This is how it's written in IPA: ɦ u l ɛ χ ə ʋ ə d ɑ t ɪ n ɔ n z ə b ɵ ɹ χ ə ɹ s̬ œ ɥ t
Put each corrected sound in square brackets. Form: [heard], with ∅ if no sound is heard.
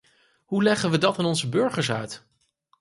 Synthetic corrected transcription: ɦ u l ɛ χ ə ʋ ə d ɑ t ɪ n ɔ n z ə b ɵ ɹ χ ə ɹ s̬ œ ɥ t